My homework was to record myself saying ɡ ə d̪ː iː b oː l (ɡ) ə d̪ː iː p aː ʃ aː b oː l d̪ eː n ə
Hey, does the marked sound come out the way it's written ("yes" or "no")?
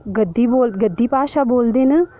yes